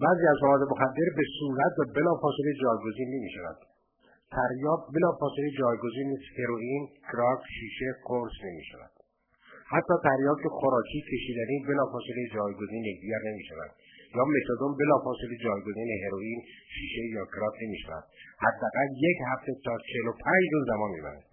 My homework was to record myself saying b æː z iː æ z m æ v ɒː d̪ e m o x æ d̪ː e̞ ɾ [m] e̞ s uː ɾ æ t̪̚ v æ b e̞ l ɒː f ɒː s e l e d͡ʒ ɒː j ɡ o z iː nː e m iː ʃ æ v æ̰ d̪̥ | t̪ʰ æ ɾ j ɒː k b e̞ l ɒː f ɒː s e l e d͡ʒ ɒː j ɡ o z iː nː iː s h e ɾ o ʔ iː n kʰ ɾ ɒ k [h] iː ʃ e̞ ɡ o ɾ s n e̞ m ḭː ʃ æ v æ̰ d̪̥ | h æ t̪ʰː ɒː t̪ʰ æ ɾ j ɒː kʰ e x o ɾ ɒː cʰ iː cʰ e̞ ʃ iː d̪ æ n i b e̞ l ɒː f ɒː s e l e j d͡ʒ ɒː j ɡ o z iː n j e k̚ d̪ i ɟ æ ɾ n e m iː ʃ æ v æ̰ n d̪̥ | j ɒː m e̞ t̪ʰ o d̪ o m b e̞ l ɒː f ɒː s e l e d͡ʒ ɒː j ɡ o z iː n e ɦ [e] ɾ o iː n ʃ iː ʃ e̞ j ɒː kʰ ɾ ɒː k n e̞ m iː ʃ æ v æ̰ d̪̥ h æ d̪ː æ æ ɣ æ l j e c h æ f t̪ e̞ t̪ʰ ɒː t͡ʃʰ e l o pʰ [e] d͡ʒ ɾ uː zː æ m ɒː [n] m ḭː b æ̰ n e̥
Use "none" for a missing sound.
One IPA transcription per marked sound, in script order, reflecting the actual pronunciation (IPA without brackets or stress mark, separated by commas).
b, ʃ, e, æ, n